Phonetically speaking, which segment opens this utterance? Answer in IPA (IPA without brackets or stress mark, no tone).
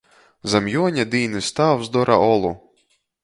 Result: z